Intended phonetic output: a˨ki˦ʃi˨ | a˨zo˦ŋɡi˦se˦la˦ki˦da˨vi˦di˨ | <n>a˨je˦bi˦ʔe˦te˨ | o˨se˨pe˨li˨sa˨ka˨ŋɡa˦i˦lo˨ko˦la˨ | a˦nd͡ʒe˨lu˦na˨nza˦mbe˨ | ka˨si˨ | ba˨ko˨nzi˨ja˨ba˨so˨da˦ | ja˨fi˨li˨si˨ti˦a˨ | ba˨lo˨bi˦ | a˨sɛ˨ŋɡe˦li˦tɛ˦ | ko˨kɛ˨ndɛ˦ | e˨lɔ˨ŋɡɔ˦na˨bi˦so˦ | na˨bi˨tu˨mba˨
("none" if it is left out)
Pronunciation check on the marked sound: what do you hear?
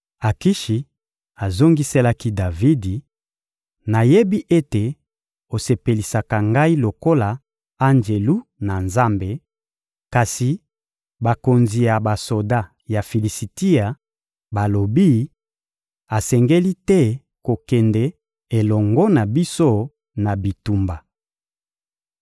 n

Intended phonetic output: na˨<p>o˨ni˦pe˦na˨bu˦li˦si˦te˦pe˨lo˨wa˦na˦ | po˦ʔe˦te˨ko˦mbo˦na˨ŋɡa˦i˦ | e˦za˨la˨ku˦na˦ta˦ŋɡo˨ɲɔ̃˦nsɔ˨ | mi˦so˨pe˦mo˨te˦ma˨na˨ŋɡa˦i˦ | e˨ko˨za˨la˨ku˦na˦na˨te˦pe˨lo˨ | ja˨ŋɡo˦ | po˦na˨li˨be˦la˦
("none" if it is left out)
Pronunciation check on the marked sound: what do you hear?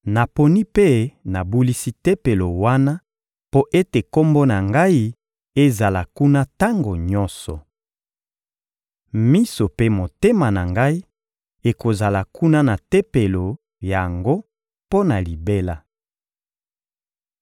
p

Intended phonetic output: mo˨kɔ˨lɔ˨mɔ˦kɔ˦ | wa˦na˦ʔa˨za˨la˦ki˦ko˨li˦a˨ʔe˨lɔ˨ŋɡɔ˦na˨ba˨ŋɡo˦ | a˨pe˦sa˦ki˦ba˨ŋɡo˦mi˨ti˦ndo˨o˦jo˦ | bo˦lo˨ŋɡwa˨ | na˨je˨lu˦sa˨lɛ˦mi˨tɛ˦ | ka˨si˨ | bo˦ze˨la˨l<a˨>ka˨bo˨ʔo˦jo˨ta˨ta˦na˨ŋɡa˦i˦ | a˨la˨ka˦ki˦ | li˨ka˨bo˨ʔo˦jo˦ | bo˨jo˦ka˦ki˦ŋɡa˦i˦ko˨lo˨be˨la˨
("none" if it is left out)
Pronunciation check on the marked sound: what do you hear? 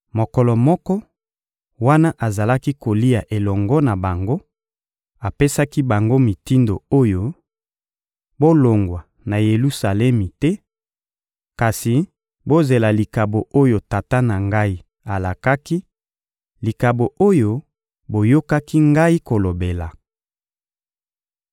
i˨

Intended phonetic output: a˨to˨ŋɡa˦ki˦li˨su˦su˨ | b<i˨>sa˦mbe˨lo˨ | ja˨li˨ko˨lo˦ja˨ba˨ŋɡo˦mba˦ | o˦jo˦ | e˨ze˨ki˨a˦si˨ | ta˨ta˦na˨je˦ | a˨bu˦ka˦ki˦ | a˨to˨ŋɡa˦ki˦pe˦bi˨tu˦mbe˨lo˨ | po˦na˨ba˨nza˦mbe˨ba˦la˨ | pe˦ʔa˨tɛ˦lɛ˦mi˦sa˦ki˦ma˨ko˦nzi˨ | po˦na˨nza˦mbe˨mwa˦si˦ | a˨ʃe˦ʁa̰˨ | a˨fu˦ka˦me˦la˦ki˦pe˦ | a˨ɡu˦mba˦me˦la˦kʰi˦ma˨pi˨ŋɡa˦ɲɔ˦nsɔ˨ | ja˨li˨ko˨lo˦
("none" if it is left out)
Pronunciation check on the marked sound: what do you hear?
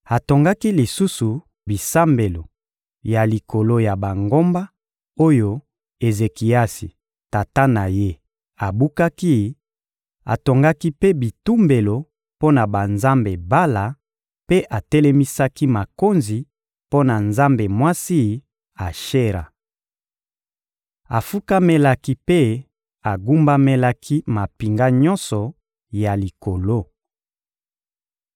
i˨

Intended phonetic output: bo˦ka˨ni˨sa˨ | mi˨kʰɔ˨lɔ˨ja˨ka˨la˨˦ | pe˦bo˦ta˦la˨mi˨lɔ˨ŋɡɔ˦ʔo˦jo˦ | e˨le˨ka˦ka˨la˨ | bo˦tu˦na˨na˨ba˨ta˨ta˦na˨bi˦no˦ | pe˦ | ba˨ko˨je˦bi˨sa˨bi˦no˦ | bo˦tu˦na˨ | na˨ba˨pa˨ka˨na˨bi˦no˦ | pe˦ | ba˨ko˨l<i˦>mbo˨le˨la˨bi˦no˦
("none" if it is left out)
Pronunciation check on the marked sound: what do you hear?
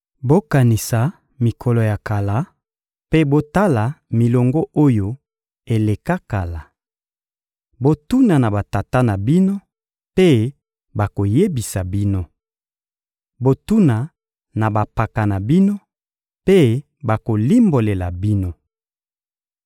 i˦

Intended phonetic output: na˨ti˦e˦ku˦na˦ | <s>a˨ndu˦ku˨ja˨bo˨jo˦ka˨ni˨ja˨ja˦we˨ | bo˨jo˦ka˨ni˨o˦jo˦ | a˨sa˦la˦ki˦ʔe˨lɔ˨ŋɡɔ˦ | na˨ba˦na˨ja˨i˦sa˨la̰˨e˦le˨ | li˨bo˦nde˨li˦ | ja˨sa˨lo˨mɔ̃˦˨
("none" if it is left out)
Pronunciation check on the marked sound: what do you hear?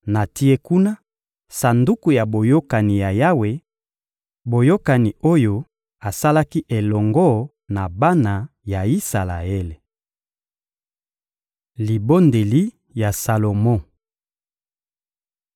s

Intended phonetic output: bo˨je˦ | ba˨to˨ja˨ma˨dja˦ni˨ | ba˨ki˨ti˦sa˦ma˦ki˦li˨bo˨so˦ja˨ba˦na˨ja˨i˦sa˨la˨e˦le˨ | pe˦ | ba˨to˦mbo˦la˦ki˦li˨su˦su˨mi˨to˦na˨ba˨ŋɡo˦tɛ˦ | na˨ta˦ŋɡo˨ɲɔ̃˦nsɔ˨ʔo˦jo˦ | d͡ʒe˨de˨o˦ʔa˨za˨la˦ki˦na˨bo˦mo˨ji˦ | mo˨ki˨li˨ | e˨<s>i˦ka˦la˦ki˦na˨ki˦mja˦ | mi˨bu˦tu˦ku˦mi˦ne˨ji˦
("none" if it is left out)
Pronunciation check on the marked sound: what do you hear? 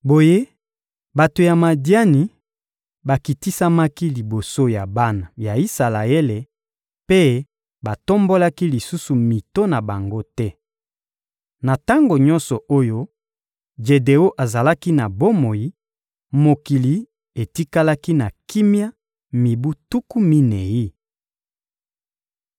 t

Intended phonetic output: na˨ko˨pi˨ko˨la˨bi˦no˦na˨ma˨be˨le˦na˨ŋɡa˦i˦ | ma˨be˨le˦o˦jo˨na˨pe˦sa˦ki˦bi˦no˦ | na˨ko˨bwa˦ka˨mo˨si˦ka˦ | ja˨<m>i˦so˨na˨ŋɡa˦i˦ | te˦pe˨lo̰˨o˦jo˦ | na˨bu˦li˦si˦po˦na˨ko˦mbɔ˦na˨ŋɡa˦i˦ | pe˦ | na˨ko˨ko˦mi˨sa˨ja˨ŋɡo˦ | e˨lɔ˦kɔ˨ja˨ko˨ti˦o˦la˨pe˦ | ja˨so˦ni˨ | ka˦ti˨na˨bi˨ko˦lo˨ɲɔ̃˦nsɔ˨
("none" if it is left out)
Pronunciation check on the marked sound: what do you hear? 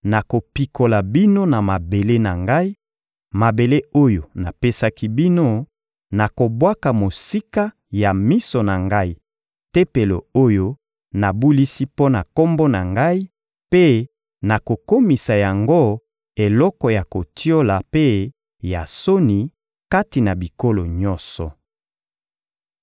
m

